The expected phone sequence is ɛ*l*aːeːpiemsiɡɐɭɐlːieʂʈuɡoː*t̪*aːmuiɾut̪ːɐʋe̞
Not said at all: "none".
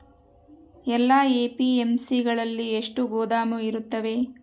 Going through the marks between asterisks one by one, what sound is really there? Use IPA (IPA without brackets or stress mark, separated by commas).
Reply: lː, d̪